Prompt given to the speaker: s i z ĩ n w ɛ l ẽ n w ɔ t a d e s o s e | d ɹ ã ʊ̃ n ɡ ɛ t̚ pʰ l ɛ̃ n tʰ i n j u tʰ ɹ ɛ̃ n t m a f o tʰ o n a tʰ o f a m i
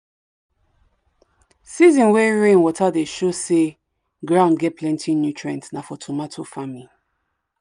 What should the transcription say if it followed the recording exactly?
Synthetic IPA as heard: s i z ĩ n w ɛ ɹ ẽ n w ɔ t a d e ʃ o s e | ɡ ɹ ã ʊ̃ n ɡ ɛ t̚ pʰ l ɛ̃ n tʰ i n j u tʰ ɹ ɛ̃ n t n a f ɔ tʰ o m a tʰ o f a m i